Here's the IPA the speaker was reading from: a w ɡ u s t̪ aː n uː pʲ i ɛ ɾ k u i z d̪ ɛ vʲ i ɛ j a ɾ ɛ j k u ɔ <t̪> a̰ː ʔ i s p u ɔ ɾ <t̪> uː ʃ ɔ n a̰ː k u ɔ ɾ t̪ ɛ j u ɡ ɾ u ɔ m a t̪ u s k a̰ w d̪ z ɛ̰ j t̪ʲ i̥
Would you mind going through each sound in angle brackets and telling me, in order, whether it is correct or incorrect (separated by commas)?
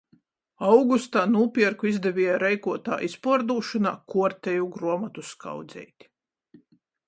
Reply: correct, incorrect